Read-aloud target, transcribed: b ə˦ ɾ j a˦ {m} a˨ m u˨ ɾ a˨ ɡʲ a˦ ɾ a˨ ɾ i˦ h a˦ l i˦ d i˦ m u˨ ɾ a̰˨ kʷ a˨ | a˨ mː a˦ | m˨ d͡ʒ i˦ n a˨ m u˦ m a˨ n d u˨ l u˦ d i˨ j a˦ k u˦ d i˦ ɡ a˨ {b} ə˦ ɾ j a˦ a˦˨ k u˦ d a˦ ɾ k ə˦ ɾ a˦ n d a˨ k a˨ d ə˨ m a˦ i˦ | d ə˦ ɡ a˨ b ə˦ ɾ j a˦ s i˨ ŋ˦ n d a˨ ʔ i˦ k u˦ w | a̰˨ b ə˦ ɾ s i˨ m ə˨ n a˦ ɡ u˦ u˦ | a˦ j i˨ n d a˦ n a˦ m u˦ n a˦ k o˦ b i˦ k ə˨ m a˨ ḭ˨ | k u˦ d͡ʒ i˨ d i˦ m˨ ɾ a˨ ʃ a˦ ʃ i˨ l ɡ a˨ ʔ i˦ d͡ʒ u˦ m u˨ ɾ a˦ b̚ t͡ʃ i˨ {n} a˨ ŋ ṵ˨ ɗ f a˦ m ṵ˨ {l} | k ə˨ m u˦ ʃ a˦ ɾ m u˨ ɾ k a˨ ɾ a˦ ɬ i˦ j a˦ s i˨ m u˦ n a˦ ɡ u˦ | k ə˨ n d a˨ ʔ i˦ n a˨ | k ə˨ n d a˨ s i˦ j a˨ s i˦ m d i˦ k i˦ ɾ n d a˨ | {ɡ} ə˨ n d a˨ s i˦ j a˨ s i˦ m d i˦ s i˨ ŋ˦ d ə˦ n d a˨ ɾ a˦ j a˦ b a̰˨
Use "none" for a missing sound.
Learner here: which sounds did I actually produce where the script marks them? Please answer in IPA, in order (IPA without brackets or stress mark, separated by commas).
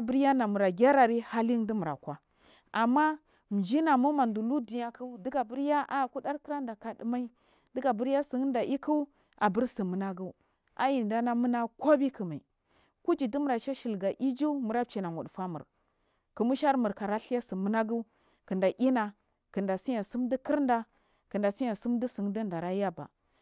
n, b, n, ɾ, k